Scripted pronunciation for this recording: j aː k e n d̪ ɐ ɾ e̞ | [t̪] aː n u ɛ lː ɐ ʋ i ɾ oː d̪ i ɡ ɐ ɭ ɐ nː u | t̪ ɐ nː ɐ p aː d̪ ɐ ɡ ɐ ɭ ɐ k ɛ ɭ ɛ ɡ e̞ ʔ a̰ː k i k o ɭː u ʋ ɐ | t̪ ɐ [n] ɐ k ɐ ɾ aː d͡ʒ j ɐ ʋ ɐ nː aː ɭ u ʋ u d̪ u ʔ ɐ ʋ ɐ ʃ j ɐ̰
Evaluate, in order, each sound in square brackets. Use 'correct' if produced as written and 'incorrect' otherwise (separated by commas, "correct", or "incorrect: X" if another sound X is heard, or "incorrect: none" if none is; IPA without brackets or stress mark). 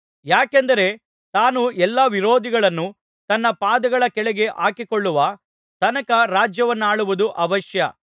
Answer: correct, correct